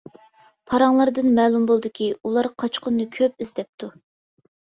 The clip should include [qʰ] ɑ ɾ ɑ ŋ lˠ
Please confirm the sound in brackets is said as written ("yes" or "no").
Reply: no